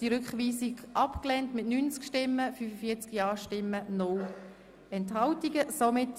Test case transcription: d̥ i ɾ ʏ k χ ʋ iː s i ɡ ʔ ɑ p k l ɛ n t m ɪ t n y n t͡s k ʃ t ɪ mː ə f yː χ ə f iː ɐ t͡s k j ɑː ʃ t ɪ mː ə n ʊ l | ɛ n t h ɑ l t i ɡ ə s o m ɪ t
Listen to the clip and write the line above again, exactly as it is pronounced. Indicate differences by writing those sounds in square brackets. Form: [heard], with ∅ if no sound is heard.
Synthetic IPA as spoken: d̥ i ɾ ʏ k χ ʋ iː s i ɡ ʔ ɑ p k l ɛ n t m ɪ t n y n t͡s k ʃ t ɪ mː ə f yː [f] ə f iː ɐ t͡s k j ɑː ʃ t ɪ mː ə n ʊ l | ɛ n t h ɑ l t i ɡ ə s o m ɪ t